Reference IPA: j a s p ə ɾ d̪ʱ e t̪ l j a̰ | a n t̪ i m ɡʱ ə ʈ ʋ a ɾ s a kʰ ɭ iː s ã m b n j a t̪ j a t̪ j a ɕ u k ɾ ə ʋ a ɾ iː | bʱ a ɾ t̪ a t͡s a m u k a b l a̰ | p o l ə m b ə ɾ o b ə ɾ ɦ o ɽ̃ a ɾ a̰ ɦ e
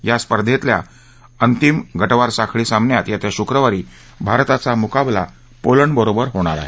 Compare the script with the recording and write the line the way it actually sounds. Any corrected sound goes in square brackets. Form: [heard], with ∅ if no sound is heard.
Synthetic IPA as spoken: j a s p ə ɾ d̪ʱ e t̪ l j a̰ | [ə] n t̪ i m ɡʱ ə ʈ ʋ a ɾ s a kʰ ɭ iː s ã m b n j a t̪ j a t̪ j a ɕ u k ɾ ə ʋ a ɾ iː | bʱ a ɾ t̪ a t͡s a m u k a b l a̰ | p o l ə [ɳ] b ə ɾ o b ə ɾ ɦ o ɽ̃ a ɾ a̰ ɦ e